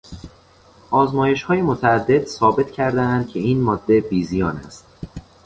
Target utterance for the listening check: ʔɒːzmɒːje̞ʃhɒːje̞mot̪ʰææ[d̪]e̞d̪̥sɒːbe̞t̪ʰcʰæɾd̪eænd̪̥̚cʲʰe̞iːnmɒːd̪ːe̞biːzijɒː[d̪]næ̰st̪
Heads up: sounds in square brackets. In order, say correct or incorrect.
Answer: incorrect: d̪ː, incorrect: none

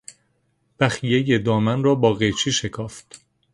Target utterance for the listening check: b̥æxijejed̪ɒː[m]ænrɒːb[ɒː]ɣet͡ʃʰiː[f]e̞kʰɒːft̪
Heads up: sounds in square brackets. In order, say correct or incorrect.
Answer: correct, correct, incorrect: ʃ

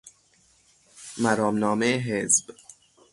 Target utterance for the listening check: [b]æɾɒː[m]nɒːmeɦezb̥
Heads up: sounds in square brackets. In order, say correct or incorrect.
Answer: incorrect: m, correct

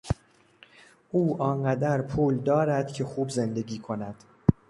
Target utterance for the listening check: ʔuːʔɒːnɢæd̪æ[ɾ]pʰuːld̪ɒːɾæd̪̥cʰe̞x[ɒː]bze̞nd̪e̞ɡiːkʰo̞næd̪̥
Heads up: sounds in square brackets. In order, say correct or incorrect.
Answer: correct, incorrect: uː

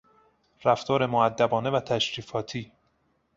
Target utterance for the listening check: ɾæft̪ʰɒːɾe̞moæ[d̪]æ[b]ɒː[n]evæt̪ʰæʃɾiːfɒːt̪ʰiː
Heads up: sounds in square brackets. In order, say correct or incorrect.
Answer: incorrect: d̪ː, correct, correct

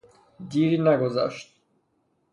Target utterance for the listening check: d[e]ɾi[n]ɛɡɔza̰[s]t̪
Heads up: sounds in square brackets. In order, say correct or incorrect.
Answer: incorrect: i, correct, incorrect: ʃ

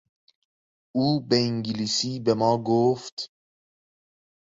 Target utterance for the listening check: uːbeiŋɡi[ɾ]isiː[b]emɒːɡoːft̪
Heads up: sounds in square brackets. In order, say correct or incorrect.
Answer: incorrect: l, correct

